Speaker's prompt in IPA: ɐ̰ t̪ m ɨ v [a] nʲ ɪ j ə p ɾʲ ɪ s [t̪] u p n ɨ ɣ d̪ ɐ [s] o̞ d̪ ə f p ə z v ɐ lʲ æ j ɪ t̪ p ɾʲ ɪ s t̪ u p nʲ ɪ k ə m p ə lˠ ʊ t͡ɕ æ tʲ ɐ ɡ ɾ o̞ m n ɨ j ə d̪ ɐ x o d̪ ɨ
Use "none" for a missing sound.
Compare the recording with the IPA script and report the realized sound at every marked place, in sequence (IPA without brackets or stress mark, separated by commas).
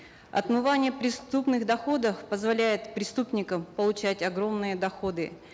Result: a, t̪, x